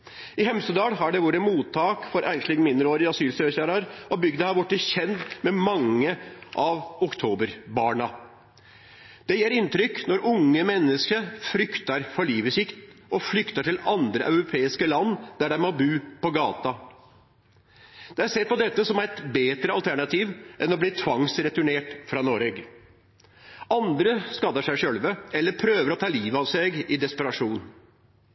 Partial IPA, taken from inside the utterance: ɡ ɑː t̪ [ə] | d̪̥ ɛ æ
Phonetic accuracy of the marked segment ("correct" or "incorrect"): incorrect